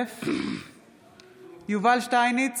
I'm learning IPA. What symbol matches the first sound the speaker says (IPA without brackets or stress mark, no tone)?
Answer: f